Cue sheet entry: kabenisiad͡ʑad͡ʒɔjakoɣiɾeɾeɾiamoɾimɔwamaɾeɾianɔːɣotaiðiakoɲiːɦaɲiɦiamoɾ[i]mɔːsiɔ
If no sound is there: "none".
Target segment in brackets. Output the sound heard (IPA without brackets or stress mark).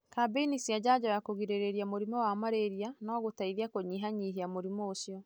i